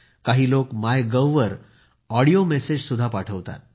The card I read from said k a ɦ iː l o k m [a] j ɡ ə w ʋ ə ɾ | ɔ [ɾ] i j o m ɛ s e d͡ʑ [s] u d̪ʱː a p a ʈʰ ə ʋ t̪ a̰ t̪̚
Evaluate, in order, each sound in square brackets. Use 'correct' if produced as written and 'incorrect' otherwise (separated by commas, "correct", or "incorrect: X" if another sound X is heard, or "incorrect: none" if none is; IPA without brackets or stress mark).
correct, incorrect: ɽ, correct